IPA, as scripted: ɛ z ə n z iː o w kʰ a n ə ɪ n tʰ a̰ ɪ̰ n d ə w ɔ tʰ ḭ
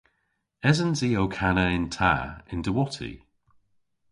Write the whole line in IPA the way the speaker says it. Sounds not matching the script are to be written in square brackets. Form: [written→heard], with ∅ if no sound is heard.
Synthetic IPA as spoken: ɛ z ə n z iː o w kʰ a n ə ɪ n tʰ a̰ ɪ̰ n d ə w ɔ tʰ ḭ